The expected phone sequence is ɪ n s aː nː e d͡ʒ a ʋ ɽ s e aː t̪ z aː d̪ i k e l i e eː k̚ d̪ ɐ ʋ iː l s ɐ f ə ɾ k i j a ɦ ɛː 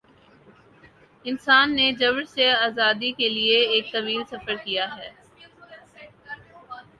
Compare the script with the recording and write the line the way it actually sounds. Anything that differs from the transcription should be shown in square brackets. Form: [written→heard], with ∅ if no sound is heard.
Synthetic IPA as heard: ɪ n s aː nː e d͡ʒ [a→ɐ] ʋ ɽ s e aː [t̪→∅] z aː d̪ i k e l i e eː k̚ [d̪→t̪] ɐ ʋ iː l s ɐ f ə ɾ k i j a ɦ ɛː